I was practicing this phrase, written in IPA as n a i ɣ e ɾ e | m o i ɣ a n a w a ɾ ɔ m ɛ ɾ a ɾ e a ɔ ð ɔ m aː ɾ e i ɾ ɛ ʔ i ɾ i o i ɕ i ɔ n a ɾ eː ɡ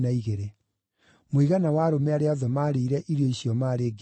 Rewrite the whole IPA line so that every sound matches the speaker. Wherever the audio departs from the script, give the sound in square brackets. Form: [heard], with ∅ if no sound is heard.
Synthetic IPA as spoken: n a i ɣ e ɾ e | m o i ɣ a n a w a ɾ [o] m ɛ [∅] a ɾ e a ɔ ð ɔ m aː ɾ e i ɾ ɛ ʔ i ɾ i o i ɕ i ɔ [m] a ɾ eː ɡ